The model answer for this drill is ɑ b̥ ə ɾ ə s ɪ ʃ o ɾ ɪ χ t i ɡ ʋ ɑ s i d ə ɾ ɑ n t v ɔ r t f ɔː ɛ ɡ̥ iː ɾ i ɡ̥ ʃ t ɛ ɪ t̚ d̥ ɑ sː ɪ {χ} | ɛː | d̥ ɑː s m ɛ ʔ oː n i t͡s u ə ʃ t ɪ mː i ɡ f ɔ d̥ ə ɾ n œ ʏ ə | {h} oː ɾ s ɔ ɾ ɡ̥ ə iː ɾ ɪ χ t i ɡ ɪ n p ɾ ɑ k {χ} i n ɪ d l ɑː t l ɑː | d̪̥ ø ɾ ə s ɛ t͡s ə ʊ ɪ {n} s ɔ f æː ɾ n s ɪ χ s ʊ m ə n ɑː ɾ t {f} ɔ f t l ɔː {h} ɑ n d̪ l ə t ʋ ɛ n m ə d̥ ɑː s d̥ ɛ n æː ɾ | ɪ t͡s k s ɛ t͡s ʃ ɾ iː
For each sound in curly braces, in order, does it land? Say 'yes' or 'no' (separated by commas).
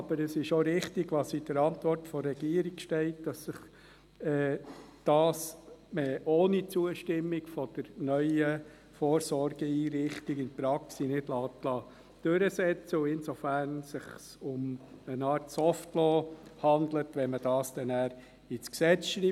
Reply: yes, no, no, yes, no, yes